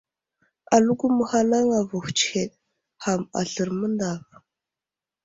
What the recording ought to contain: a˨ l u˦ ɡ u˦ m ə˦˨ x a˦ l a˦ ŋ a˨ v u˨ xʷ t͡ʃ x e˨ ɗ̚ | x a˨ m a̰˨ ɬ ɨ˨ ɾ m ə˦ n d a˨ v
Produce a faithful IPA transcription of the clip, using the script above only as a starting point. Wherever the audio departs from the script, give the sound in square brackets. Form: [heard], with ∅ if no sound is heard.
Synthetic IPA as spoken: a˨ l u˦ ɡ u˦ m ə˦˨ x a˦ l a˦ ŋ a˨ v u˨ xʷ t͡ʃ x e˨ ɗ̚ | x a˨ m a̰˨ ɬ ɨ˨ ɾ m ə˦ n d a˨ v